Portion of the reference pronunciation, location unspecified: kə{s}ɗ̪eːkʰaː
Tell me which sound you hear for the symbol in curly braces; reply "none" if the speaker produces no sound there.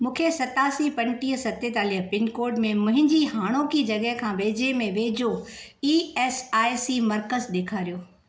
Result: z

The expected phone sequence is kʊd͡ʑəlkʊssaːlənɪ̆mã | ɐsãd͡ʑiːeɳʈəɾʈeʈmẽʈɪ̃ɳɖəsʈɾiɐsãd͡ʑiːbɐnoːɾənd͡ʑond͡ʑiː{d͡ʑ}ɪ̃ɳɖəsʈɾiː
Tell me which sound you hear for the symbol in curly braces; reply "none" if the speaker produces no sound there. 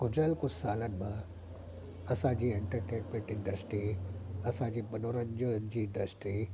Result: none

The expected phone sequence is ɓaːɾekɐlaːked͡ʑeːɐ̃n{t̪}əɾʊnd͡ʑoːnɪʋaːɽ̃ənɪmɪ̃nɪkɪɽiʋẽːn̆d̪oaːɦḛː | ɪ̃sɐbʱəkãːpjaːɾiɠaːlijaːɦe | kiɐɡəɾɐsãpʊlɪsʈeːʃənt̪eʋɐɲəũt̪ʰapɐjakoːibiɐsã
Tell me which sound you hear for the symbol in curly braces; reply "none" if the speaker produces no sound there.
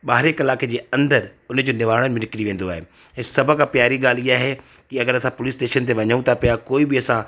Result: d̪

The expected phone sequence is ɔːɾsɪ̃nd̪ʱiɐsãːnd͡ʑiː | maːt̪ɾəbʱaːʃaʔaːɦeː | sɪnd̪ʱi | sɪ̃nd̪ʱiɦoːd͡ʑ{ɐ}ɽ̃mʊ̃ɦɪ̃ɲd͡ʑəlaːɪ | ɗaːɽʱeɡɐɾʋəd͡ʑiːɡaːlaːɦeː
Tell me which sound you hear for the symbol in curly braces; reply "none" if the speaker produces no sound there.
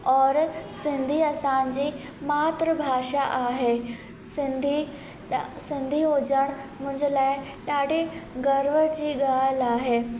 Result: ə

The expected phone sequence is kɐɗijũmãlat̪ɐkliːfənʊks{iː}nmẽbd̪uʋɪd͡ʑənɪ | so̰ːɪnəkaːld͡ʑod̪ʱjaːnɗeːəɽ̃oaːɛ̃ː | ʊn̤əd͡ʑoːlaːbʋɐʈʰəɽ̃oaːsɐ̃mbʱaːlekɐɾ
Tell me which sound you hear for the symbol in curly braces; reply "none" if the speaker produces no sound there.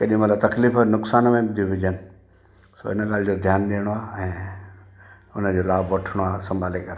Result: aː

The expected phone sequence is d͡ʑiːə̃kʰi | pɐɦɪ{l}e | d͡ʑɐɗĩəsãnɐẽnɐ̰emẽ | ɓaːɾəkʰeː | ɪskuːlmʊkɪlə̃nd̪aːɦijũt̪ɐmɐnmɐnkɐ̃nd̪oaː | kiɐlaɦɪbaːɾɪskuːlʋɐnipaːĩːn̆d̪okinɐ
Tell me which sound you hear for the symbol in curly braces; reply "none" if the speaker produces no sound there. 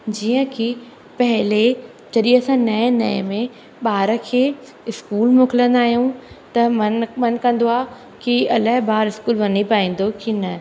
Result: l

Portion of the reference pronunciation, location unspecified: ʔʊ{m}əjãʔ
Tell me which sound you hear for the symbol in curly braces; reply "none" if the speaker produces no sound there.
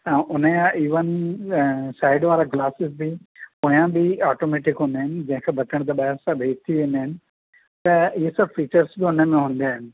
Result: n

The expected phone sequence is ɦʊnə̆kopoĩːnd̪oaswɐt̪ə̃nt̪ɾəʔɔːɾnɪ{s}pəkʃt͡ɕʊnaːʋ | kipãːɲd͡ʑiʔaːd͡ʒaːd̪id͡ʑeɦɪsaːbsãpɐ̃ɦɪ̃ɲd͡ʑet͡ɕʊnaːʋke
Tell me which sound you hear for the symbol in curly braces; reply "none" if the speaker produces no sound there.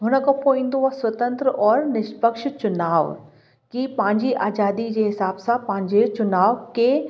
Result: ʃ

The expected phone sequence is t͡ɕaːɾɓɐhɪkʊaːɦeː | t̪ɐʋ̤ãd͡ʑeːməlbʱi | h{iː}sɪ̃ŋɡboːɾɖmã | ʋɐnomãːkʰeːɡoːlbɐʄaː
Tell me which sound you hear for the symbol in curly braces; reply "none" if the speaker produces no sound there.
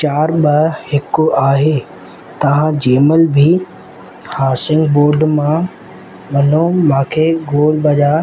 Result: aː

